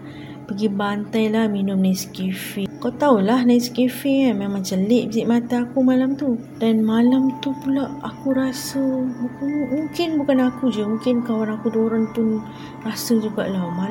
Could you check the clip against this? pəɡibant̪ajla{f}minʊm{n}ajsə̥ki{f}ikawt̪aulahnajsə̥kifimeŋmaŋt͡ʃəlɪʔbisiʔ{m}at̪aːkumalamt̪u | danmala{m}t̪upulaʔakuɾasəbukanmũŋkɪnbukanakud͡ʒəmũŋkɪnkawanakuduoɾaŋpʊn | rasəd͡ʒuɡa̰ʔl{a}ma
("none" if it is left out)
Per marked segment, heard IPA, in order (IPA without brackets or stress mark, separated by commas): h, n, f, m, m, a